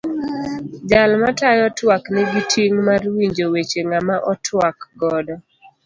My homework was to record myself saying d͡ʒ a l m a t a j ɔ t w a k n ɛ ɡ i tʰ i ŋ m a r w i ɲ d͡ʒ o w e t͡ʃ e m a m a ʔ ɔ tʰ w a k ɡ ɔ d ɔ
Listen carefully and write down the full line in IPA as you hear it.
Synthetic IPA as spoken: d͡ʒ a l m a t a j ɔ t w a k n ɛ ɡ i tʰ i ŋ m a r w i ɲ d͡ʒ o w e t͡ʃ e ŋ a m a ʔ ɔ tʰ w a k ɡ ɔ d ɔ